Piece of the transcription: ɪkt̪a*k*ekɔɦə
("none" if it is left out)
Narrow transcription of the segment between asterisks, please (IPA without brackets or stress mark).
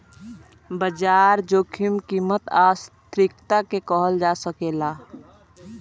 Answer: k